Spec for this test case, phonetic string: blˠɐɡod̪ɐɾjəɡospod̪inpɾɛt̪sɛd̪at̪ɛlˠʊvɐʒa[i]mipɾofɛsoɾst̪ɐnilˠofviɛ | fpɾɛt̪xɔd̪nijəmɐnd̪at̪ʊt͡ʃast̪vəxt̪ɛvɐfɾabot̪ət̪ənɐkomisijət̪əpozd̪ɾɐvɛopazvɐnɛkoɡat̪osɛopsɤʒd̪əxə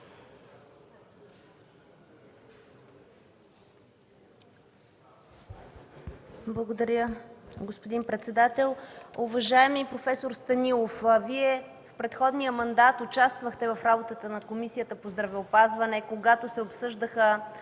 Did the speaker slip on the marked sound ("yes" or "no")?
yes